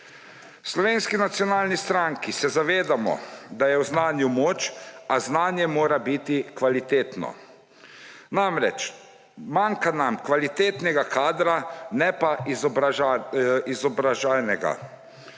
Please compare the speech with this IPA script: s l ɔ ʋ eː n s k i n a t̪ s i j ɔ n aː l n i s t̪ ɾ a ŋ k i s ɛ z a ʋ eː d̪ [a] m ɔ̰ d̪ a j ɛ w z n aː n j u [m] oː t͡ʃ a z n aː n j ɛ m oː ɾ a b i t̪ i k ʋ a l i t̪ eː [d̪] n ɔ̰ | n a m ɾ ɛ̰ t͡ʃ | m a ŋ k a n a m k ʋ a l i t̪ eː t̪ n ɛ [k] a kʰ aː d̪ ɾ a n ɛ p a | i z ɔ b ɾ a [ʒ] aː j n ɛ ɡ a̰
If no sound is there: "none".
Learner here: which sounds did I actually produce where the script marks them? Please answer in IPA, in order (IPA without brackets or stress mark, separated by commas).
a, m, t̪, ɡ, ʒ